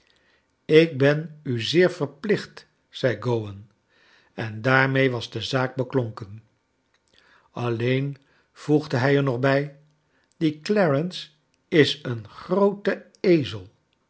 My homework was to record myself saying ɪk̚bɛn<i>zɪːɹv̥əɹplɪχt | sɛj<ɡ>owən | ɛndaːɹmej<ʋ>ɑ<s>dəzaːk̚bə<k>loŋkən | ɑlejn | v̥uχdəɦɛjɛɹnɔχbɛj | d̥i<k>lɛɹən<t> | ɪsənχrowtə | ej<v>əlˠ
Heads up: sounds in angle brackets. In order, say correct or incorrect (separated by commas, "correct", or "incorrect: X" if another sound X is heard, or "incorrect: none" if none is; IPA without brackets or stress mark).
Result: incorrect: y, correct, correct, incorrect: z, correct, correct, incorrect: s, incorrect: z